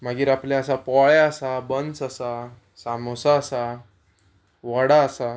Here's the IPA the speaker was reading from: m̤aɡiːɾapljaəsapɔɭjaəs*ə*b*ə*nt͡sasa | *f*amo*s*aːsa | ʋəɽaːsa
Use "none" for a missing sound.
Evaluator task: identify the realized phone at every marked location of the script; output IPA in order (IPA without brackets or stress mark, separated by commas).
a, ə, s, s